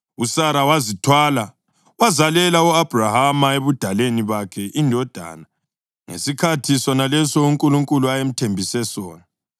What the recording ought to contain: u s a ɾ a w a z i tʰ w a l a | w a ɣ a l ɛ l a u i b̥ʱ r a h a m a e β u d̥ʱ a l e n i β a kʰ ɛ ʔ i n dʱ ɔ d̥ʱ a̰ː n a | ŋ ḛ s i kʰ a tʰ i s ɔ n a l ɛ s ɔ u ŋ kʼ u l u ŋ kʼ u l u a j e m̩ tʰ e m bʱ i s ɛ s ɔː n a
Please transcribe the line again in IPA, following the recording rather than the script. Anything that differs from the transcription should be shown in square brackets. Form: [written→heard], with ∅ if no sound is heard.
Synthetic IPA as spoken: u s a ɾ a w a z i tʰ w a l a | w a [ɣ→z] a l ɛ l a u [i→a] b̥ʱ r a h a m a e β u d̥ʱ a l e n i β a kʰ ɛ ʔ i n dʱ ɔ d̥ʱ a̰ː n a | ŋ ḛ s i kʰ a tʰ i s ɔ n a l ɛ s ɔ u ŋ kʼ u l u ŋ kʼ u l u a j e m̩ tʰ e m bʱ i s ɛ s ɔː n a

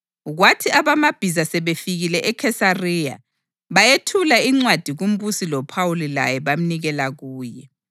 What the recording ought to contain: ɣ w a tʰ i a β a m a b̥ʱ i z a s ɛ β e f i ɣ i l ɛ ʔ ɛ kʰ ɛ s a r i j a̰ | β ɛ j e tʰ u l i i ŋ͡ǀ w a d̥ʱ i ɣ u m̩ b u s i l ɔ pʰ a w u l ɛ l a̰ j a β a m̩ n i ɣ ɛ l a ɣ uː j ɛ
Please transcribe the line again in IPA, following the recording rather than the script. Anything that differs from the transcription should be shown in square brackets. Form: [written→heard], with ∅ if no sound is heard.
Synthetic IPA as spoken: ɣ w a tʰ i a β a m a b̥ʱ i z a s ɛ β e f i ɣ i l ɛ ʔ ɛ kʰ ɛ s a r i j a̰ | β [ɛ→a] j e tʰ u l [i→a] i ŋ͡ǀ w a d̥ʱ i ɣ u m̩ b u s i l ɔ pʰ a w u l [ɛ→i] l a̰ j [a→ɛ] β a m̩ n i ɣ ɛ l a ɣ uː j ɛ

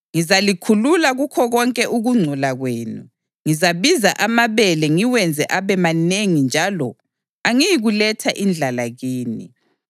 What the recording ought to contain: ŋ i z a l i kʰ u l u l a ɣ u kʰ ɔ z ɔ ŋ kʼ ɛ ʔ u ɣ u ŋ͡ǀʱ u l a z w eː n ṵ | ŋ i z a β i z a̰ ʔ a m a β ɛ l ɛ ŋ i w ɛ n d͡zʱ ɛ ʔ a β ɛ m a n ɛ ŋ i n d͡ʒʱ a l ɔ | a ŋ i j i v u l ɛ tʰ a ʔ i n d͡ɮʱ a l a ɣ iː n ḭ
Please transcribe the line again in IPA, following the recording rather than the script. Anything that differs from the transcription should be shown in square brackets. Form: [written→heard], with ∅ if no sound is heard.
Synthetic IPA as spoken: ŋ i z a l i kʰ u l u l a ɣ u kʰ ɔ [z→ɣ] ɔ ŋ kʼ ɛ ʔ u ɣ u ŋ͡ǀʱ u l a [z→ɣ] w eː n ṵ | ŋ i z a β i z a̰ ʔ a m a β ɛ l ɛ ŋ i w ɛ n d͡zʱ ɛ ʔ a β ɛ m a n [ɛ→e] ŋ i n d͡ʒʱ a l ɔ | a ŋ i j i [v→ɣ] u l ɛ tʰ a ʔ i n d͡ɮʱ a l a ɣ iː n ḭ

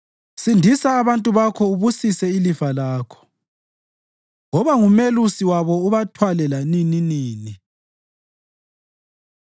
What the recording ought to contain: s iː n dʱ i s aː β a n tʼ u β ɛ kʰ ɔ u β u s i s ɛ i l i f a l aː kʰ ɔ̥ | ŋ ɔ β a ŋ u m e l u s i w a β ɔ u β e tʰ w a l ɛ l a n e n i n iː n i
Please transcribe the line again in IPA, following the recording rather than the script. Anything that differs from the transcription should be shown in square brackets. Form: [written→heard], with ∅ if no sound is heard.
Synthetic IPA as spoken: s [iː→i] n dʱ i s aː β a n tʼ u β [ɛ→a] kʰ ɔ u β u s i s ɛ i l i f a l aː kʰ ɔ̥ | ŋ ɔ β a ŋ u m e l u s i w a β ɔ u β [e→a] tʰ w a l ɛ l a n [e→i] n i n iː n i

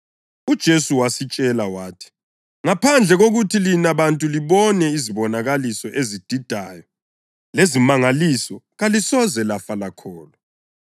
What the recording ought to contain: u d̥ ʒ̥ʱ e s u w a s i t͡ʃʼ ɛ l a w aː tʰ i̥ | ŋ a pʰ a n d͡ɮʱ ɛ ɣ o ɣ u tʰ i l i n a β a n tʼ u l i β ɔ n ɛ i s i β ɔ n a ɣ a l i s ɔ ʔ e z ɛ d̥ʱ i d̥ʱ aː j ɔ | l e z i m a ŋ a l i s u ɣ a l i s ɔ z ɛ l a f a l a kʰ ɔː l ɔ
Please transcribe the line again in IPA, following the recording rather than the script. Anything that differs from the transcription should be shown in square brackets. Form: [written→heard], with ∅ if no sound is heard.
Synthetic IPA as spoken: u d̥ ʒ̥ʱ e s u w a s i t͡ʃʼ ɛ l a w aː tʰ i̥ | ŋ a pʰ a n d͡ɮʱ ɛ ɣ o ɣ u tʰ i l i n a β a n tʼ u l i β ɔ n ɛ i [s→z] i β ɔ n a ɣ a l i s ɔ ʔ e z [ɛ→i] d̥ʱ i d̥ʱ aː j ɔ | l e z i m a ŋ a l i s [u→ɔ] ɣ a l i s ɔ z ɛ l a f a l a kʰ ɔː l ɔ

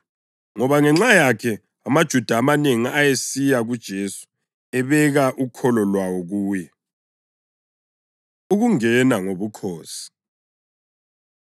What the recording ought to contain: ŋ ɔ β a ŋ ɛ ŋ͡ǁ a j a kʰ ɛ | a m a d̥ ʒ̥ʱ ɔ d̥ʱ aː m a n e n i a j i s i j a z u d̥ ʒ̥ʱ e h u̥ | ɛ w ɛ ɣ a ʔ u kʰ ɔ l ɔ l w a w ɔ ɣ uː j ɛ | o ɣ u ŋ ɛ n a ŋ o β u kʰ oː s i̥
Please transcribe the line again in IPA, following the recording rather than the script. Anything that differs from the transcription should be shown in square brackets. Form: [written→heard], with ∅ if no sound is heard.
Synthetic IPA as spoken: ŋ ɔ β a ŋ ɛ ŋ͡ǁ a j a kʰ ɛ | a m a d̥ ʒ̥ʱ [ɔ→u] d̥ʱ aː m a n e [n→ŋ] i a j [i→e] s i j a [z→ɣ] u d̥ ʒ̥ʱ e [h→s] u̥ | ɛ [w→β] ɛ ɣ a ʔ u kʰ ɔ l ɔ l w a w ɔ ɣ uː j ɛ | [o→u] ɣ u ŋ ɛ n a ŋ o β u kʰ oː s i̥

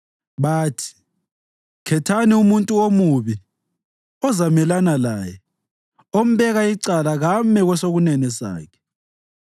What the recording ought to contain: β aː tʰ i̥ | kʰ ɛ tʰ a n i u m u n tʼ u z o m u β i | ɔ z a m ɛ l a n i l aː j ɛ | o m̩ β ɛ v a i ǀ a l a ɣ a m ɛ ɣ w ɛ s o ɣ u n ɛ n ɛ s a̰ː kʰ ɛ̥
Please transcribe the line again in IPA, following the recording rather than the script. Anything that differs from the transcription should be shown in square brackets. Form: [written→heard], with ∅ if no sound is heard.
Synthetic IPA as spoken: β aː tʰ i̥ | kʰ ɛ tʰ a n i u m u n tʼ u [z→∅] o m u β i | ɔ z a m ɛ l a n [i→a] l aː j ɛ | o m̩ β ɛ [v→ɣ] a i ǀ a l a ɣ a m ɛ ɣ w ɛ s o ɣ u n ɛ n ɛ s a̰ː kʰ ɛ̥

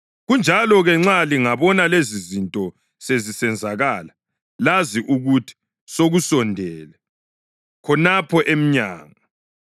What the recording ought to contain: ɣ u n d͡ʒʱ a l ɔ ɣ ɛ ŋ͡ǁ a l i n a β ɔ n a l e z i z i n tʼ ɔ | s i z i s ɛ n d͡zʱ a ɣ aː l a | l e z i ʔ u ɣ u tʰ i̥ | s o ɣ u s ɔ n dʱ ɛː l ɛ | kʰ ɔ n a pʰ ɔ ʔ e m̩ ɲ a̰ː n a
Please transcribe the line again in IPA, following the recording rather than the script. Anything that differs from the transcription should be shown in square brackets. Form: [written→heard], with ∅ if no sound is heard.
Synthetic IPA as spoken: ɣ u n d͡ʒʱ a l ɔ ɣ ɛ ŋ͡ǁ a l i [n→ŋ] a β ɔ n a l e z i z i n tʼ ɔ | s [i→e] z i s ɛ n d͡zʱ a ɣ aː l a | l [e→a] z i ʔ u ɣ u tʰ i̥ | s o ɣ u s ɔ n dʱ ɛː l ɛ | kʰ ɔ n a pʰ ɔ ʔ e m̩ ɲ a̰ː [n→ŋ] a

